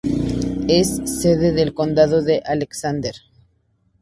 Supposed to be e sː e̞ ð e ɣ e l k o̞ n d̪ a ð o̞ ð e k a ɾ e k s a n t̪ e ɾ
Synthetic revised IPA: e sː e̞ ð e ð e l k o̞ n d̪ a ð o̞ ð e ʔ a l e k s a n d̪ e ɾ